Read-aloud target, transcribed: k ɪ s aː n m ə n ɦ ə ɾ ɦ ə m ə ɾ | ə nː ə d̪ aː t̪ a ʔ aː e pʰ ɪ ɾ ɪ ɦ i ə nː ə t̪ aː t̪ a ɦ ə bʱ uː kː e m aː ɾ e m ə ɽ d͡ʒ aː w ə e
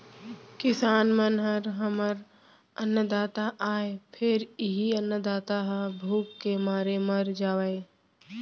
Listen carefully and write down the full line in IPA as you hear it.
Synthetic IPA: k ɪ s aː n m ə n ɦ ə ɾ ɦ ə m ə ɾ | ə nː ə d̪ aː t̪ a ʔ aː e pʰ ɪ ɾ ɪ ɦ i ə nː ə d̪ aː t̪ a ɦ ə bʱ uː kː e m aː ɾ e m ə ɾ d͡ʒ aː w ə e